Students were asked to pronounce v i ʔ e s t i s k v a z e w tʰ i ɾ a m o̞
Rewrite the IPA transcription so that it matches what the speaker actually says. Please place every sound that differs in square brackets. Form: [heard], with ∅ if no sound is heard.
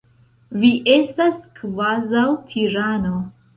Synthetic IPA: v i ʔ e s t [a] s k v a z [a] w tʰ i ɾ a [n] o̞